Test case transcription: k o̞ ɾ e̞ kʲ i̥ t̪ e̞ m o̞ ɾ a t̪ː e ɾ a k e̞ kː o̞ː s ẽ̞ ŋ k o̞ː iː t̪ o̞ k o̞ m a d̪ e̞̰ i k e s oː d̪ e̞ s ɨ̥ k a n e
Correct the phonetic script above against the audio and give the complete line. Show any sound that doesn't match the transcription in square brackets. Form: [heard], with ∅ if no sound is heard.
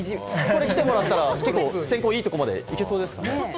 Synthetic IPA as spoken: k o̞ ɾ e̞ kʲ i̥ t̪ e̞ m o̞ ɾ a t̪ː [a] ɾ a k e̞ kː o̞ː s ẽ̞ ŋ k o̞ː iː t̪ o̞ k o̞ m a d̪ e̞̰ i k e s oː d̪ e̞ s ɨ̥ k a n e